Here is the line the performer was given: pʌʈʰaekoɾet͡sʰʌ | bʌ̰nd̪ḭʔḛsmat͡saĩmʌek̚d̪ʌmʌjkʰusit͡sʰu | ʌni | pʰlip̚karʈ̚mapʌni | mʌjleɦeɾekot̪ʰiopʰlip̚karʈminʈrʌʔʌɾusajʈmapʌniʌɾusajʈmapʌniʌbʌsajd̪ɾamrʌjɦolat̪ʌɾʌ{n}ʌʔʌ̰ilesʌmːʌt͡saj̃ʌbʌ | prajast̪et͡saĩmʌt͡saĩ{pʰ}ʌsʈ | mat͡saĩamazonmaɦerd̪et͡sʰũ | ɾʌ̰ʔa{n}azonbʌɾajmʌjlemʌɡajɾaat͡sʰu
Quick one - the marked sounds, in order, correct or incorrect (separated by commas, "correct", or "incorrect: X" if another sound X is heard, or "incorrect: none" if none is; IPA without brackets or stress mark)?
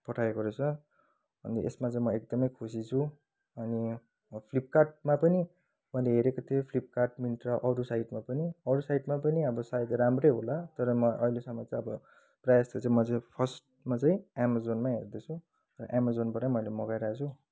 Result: incorrect: m, correct, incorrect: m